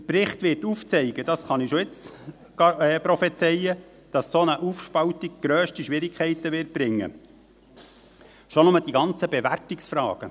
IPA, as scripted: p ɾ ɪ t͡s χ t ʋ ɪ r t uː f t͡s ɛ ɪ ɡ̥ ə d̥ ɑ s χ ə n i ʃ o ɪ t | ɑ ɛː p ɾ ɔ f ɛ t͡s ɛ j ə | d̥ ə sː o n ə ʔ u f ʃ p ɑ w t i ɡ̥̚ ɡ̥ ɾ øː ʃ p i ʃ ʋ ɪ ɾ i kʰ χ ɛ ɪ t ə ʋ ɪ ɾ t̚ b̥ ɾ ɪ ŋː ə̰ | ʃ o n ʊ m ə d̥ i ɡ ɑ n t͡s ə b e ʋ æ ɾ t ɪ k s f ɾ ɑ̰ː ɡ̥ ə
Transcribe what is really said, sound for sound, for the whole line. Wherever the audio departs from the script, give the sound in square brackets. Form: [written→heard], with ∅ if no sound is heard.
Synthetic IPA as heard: p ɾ ɪ [t͡s→∅] χ t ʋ ɪ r t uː f t͡s ɛ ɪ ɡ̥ ə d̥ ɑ s χ [ə→ɑ] n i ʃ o ɪ [t→t͡s] | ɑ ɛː p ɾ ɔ f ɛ t͡s ɛ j ə | d̥ [ə→ɑ] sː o n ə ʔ u f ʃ p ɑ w t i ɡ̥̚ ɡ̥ ɾ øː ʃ [p→t] i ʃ ʋ ɪ ɾ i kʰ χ ɛ ɪ t ə ʋ ɪ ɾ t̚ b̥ ɾ ɪ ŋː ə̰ | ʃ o n ʊ m ə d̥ i ɡ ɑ n t͡s ə b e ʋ æ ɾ t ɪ k s f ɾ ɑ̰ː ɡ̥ ə